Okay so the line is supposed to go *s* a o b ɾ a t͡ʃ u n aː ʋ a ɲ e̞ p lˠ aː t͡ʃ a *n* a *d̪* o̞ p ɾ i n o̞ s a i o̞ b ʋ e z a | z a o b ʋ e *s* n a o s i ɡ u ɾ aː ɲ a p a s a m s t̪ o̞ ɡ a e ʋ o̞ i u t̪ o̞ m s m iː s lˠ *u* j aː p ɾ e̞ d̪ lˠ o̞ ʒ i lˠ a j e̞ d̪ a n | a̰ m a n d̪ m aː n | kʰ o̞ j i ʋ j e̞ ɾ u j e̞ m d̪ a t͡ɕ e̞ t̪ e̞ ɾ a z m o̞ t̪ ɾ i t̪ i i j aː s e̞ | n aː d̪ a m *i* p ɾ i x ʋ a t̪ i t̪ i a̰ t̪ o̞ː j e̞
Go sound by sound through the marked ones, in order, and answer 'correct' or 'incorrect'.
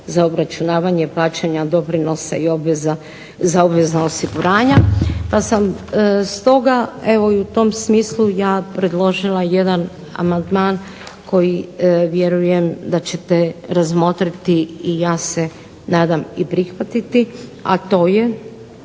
incorrect: z, incorrect: ɲ, correct, incorrect: z, correct, correct

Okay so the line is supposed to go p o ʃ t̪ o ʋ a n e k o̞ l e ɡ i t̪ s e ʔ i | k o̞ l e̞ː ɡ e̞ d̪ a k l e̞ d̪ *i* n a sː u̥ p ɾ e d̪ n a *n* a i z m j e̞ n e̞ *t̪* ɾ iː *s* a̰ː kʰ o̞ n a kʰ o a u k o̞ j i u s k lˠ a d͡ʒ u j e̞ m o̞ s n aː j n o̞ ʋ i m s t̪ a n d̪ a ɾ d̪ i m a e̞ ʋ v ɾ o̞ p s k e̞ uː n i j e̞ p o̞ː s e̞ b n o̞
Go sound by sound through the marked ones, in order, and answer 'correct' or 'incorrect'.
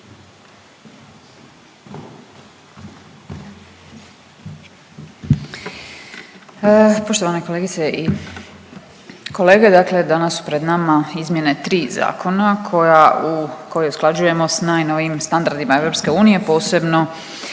incorrect: a, incorrect: m, correct, incorrect: z

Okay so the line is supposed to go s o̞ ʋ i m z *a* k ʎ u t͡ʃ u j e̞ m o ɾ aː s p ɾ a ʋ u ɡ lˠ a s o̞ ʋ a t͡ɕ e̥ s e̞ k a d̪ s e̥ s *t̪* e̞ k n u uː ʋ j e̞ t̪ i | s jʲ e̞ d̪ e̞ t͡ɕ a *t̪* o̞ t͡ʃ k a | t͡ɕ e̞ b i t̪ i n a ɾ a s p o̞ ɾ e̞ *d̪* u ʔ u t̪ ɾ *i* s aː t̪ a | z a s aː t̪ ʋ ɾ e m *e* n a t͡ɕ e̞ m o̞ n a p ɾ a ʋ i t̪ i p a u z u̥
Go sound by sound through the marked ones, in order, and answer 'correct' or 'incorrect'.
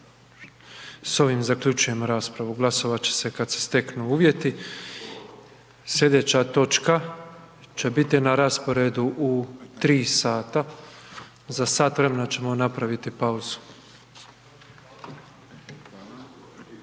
correct, correct, correct, correct, incorrect: iː, correct

